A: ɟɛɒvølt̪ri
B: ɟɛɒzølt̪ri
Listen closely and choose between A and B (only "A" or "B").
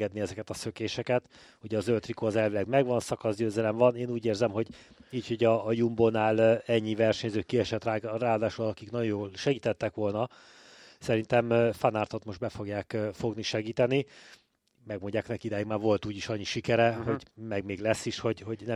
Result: B